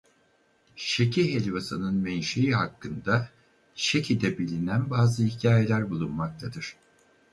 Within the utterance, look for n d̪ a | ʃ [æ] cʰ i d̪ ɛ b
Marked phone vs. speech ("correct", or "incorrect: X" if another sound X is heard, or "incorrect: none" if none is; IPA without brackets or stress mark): incorrect: e